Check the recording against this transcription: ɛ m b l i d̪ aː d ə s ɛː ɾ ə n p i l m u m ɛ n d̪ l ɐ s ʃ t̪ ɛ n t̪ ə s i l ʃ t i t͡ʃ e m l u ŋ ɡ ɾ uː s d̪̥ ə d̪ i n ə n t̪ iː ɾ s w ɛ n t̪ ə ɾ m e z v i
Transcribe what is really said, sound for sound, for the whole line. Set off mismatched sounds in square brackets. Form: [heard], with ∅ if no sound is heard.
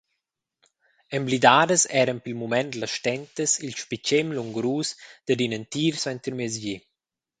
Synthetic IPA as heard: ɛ m b l i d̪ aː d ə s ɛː ɾ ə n p i l m u m ɛ n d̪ l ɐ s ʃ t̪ ɛ n t̪ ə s i l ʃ [p] i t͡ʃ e m l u ŋ ɡ ɾ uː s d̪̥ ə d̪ i n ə n t̪ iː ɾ s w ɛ n t̪ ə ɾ m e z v i